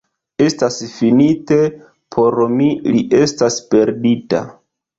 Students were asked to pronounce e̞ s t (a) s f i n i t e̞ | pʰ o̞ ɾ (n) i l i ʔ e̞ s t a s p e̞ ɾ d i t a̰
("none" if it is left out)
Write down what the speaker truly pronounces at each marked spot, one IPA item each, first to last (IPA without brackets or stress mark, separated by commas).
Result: a, m